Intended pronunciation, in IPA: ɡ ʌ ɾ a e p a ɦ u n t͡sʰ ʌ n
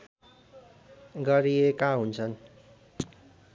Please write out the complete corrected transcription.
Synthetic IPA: ɡ ʌ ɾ i e k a ɦ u n t͡sʰ ʌ n